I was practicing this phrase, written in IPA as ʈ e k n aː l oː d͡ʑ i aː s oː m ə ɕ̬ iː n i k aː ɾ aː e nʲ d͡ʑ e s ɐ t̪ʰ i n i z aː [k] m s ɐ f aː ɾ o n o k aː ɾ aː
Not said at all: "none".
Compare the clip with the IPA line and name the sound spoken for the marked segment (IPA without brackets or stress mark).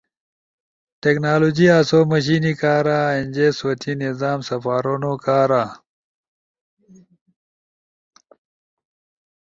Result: none